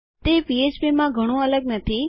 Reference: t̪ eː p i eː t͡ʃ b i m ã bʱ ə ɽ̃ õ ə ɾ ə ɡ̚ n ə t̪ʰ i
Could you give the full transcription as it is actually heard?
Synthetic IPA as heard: t̪ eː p i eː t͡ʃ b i m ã ɡʱ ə ɽ̃ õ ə l ə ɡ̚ n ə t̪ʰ i